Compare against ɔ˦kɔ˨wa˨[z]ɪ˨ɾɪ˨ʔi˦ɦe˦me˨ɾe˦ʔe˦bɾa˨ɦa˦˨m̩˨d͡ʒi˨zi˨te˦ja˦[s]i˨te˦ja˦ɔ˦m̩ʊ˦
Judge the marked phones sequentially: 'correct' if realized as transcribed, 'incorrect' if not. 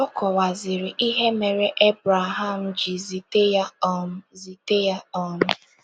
correct, incorrect: z

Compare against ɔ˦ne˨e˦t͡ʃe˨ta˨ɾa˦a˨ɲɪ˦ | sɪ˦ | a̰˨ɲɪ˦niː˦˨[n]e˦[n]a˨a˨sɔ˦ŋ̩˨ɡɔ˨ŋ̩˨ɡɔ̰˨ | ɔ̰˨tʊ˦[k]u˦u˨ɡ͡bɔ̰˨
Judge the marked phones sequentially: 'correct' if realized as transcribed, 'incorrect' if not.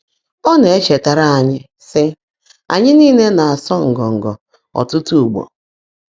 correct, correct, incorrect: t

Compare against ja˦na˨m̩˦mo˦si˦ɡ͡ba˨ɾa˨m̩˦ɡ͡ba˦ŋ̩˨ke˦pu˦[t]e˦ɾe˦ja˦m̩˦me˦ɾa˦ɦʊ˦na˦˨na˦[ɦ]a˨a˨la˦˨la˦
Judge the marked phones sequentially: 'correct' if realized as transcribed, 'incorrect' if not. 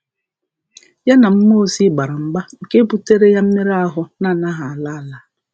correct, correct

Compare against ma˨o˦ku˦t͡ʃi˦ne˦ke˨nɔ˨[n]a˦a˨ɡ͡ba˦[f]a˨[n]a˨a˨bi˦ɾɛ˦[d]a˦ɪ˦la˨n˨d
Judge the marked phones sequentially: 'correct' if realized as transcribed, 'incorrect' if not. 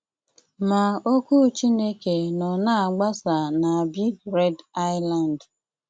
correct, incorrect: s, correct, correct

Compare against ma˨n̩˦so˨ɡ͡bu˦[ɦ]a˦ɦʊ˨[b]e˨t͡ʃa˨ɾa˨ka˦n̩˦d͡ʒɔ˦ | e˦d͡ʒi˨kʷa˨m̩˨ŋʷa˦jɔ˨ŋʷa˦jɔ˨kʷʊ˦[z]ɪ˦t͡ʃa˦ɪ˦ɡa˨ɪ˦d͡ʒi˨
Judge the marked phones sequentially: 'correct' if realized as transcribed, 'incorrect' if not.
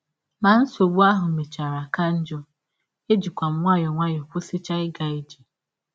incorrect: none, incorrect: m, incorrect: s

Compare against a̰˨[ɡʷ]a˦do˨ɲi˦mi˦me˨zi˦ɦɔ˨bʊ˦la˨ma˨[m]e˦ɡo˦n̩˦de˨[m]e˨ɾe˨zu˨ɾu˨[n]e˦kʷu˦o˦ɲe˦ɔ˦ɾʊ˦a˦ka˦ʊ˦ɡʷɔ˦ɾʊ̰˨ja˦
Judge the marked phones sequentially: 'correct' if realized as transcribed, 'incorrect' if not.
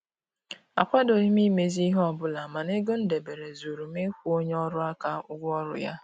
incorrect: kʷ, incorrect: n, incorrect: b, incorrect: m

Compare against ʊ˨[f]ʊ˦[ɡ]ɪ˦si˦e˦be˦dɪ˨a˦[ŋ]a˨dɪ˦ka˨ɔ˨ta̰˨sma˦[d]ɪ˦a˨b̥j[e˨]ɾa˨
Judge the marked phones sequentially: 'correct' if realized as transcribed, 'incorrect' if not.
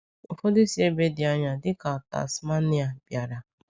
correct, incorrect: d, incorrect: ɲ, incorrect: n, incorrect: a˨

